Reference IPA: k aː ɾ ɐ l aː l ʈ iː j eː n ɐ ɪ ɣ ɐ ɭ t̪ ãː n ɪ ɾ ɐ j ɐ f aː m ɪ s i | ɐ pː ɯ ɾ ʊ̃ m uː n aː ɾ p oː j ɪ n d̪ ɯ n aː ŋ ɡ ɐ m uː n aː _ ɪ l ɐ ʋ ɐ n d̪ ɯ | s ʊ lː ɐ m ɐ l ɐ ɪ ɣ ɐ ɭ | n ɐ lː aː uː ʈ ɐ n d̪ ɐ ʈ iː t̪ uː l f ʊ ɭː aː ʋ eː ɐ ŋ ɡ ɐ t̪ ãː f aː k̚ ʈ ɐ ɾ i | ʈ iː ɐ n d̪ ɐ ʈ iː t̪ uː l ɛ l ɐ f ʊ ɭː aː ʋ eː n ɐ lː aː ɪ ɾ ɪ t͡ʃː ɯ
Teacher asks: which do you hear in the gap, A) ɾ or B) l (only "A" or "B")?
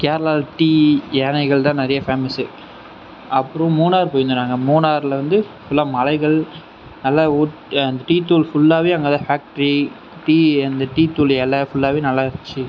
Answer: A